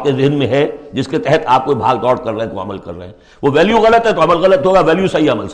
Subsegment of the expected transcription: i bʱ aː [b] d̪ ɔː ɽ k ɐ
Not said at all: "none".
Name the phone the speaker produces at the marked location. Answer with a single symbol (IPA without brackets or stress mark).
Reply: ɡ